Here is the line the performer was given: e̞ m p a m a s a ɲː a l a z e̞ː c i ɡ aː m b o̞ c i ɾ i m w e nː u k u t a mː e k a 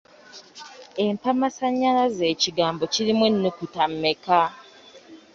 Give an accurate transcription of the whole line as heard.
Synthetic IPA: e̞ m p a m a s a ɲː a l a z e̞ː c i ɡ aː m b o̞ c i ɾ i m w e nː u k u t a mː e k a

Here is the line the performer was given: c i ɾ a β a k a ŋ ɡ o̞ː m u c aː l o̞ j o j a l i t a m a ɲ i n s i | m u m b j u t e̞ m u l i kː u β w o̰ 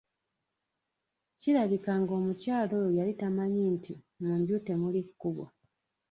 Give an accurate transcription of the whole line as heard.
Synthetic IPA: c i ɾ a β i k a ŋ ɡ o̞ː m u c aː l o̞ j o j a l i t a m a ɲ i n t i | m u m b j u t e̞ m u l i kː u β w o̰

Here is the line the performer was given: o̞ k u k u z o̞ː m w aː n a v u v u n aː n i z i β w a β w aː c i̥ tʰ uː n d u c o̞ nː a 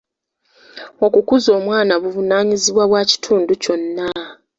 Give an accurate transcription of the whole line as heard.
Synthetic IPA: o̞ k u k u z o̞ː m w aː n a β u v u n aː ɲ i z i β w a β w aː c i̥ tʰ uː n d u c o̞ nː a

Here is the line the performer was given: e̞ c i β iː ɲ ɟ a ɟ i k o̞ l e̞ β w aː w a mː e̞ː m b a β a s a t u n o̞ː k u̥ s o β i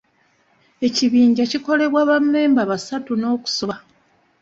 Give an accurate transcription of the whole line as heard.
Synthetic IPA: e̞ c i β iː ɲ ɟ a c i k o̞ l e̞ β w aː β a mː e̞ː m b a β a s a t u n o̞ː k u̥ s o β a

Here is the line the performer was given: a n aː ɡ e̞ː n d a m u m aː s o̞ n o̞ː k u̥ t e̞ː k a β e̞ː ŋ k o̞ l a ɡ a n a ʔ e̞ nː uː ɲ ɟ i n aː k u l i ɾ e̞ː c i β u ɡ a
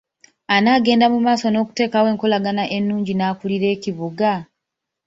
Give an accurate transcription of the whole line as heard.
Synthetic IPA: a n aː ɡ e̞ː n d a m u m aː s o̞ n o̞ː k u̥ t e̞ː k a w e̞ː ŋ k o̞ l a ɡ a n a ʔ e̞ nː uː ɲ ɟ i n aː k u l i ɾ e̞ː c i β u ɡ a

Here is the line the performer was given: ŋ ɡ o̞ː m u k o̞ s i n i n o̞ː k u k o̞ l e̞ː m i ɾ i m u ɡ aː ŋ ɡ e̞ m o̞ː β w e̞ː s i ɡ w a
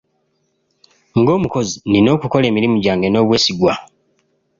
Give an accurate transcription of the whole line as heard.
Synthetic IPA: ŋ ɡ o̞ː m u k o̞ z i n i n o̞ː k u k o̞ l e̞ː m i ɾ i m u ɟ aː ŋ ɡ e̞ n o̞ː β w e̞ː s i ɡ w a

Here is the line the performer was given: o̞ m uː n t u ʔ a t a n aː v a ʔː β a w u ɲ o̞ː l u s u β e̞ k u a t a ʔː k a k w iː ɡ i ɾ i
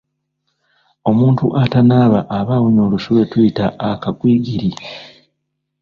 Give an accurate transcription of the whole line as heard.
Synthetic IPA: o̞ m uː n t u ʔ a t a n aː β a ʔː β a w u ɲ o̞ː l u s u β e̞ t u i t a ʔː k a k w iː ɡ i ɾ i

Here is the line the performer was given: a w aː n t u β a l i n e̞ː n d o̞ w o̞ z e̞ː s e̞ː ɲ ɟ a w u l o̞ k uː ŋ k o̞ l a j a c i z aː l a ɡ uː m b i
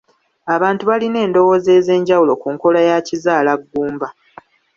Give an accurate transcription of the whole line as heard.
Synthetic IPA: a β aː n t u β a l i n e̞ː n d o̞ w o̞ z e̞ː z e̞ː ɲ ɟ a w u l o̞ k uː ŋ k o̞ l a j a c i z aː l a ɡː uː m b a

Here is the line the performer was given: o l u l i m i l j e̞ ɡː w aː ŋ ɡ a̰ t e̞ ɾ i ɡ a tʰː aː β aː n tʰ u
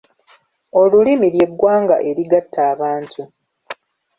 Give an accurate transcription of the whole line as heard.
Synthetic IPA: o l u l i m i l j e̞ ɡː w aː ŋ ɡ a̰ ʔ e̞ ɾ i ɡ a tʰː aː β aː n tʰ u

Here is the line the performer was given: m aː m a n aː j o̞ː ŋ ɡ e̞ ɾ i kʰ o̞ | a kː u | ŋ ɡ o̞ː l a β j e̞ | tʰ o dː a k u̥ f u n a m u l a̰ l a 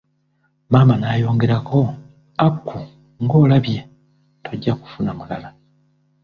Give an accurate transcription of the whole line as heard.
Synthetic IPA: m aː m a n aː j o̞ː ŋ ɡ e̞ ɾ a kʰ o̞ | a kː u | ŋ ɡ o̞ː l a β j e̞ | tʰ o ɟː a k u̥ f u n a m u l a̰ l a

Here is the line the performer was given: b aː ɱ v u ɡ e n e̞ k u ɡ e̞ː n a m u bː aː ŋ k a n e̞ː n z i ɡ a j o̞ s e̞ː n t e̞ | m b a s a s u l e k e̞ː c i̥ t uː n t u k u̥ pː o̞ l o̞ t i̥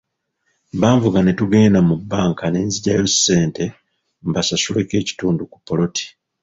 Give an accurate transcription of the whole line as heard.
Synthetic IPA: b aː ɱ v u ɡ a n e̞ t u ɡ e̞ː n a m u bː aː ŋ k a n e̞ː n z i ɟ a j o̞ s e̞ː n t e̞ | m b a s a s u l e k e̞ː c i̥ t uː n d u k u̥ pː o̞ l o̞ t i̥

